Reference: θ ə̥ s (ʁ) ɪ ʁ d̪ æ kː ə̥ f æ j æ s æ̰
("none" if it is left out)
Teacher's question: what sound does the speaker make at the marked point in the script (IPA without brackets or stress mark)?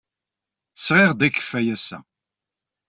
ʁ